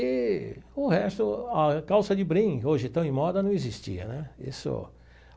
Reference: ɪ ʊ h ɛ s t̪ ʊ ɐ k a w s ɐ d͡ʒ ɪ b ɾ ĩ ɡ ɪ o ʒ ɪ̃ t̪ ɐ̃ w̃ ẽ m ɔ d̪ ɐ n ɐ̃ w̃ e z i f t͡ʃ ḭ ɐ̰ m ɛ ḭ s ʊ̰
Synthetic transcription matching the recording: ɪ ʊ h ɛ s t̪ ʊ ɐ k a w s ɐ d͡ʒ ɪ b ɾ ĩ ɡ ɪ o ʒ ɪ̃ t̪ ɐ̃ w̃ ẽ m ɔ d̪ ɐ n ɐ̃ w̃ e z i s t͡ʃ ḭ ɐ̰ n ɛ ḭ s ʊ̰